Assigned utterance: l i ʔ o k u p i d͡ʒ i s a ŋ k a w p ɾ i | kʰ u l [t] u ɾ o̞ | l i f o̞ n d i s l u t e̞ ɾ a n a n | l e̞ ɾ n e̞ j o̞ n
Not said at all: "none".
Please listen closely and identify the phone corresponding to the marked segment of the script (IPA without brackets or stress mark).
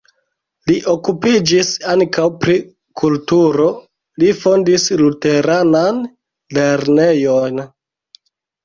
t